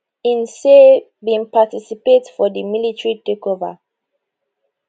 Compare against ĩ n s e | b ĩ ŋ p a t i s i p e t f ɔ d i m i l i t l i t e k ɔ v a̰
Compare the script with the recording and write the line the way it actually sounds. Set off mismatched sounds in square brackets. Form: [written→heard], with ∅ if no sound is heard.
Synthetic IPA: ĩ n s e | b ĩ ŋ p a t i s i p e t f ɔ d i m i l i t [l→ɹ] i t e k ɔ v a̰